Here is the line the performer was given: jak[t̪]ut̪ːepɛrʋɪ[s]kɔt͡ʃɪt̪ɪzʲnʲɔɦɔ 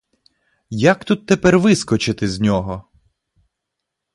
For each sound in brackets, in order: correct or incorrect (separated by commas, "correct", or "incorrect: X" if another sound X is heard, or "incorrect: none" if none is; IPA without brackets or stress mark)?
correct, correct